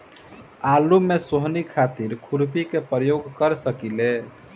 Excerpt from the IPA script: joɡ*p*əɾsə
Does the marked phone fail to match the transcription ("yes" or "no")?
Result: yes